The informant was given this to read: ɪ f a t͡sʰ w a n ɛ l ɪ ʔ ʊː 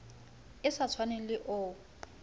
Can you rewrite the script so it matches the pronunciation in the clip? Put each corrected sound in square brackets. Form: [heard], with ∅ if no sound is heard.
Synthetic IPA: ɪ [s] a t͡sʰ w a n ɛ l ɪ ʔ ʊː